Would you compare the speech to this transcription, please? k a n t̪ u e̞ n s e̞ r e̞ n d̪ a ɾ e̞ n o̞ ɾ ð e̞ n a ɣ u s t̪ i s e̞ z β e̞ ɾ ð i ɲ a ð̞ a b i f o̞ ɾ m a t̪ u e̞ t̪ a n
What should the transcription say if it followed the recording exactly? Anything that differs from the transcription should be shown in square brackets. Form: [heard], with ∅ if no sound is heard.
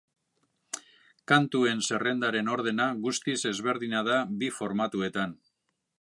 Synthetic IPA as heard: k a n t̪ u e̞ n s e̞ r e̞ n d̪ a ɾ e̞ n o̞ ɾ ð e̞ n a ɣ u s t̪ i s e̞ z β e̞ ɾ ð i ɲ a ð̞ a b i f o̞ ɾ m a t̪ u e̞ t̪ a n